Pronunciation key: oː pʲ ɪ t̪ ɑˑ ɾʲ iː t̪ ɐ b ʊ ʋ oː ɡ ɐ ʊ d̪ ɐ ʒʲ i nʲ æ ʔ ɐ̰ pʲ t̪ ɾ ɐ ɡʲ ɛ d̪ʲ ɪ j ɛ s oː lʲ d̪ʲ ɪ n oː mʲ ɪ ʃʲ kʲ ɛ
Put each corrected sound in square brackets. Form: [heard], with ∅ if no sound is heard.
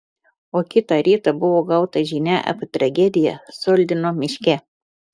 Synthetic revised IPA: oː [kʲ] ɪ t̪ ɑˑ ɾʲ iː t̪ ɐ b ʊ ʋ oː ɡ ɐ ʊ [t̪] ɐ ʒʲ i nʲ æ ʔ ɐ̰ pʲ t̪ ɾ ɐ ɡʲ ɛ d̪ʲ ɪ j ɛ s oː lʲ d̪ʲ ɪ n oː mʲ ɪ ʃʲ kʲ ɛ